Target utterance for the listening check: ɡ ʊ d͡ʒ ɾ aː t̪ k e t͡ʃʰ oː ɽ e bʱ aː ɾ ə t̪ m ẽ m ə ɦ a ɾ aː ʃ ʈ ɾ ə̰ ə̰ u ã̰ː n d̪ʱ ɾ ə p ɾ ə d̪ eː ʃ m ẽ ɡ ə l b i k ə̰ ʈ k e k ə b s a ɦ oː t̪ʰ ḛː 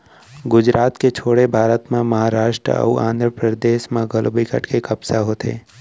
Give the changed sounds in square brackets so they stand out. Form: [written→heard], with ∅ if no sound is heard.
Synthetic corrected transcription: ɡ ʊ d͡ʒ ɾ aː t̪ k e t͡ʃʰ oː ɽ e bʱ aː ɾ ə t̪ m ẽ m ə ɦ a ɾ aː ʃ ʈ ɾ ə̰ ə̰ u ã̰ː n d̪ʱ ɾ ə p ɾ ə d̪ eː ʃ m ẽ ɡ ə l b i k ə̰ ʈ k e k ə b s a ɦ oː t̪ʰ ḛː